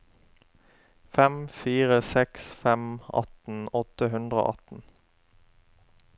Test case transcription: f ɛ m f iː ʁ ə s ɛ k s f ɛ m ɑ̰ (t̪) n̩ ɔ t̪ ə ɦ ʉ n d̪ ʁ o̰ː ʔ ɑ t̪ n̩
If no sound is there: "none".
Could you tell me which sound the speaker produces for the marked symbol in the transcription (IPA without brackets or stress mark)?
t̪